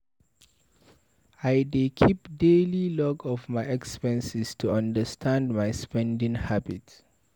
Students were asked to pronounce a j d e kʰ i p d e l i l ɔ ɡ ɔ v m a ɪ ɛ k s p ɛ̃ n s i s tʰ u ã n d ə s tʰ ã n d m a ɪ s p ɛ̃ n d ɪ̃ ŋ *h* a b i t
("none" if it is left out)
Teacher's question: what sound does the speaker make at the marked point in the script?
h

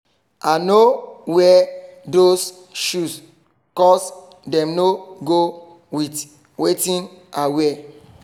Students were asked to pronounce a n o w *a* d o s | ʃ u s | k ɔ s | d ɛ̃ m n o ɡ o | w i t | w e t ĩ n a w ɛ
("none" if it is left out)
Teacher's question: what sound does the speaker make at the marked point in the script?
ɛ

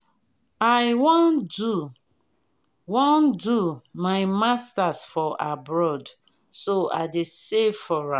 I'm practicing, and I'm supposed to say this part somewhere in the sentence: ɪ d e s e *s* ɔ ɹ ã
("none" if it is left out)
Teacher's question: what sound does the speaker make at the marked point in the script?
f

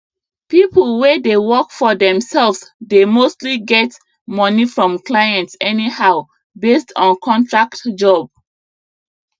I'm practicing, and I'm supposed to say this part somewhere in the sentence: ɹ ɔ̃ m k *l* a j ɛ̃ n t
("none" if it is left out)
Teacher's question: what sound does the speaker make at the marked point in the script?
l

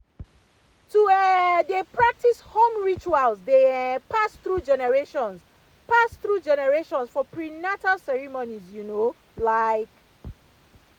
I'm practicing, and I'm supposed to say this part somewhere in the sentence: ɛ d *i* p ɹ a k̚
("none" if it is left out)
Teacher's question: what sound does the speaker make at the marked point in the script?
e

